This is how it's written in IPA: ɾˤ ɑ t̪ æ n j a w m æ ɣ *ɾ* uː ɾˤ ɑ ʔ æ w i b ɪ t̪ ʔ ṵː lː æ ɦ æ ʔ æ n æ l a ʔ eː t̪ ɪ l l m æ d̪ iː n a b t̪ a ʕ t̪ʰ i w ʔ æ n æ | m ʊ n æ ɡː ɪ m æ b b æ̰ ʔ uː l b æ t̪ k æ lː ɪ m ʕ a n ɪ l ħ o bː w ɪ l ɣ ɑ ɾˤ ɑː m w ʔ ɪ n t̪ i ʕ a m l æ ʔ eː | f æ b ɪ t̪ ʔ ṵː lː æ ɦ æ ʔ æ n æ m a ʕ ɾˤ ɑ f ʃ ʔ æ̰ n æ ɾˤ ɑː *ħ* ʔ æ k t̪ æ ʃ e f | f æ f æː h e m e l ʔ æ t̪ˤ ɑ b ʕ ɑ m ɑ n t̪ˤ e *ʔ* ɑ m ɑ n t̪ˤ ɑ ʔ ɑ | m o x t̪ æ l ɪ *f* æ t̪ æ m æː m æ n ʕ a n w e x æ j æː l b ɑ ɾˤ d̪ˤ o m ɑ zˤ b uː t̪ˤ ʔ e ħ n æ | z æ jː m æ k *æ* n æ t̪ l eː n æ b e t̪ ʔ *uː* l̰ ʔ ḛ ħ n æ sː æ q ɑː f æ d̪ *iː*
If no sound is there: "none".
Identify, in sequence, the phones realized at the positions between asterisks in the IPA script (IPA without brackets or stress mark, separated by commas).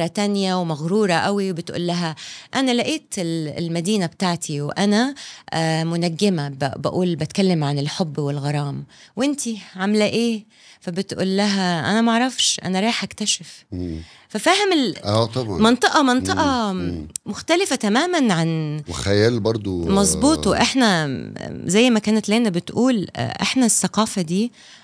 ɾ, ħ, ʔ, f, æː, uː, iː